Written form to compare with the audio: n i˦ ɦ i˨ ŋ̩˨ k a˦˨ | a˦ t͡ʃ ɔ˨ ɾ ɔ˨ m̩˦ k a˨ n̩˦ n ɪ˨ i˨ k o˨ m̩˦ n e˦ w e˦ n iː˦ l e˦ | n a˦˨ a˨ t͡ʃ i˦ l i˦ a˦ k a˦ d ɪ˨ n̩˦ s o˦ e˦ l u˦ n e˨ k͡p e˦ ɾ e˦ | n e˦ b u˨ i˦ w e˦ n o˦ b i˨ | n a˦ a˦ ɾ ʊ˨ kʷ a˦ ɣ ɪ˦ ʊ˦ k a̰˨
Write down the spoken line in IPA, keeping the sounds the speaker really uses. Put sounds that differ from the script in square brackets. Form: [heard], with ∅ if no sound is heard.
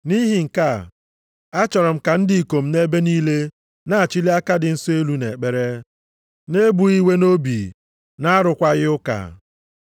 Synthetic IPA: n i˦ ɦ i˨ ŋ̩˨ k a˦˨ | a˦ t͡ʃ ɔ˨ ɾ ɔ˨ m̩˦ k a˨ n̩˦ [d] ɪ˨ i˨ k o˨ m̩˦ n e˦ [b] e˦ n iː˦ l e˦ | n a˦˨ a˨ t͡ʃ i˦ l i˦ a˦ k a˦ d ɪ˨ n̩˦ s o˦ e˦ l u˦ n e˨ k͡p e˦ ɾ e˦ | n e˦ b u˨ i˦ w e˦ n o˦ b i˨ | n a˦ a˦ ɾ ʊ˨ kʷ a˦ ɣ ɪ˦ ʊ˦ k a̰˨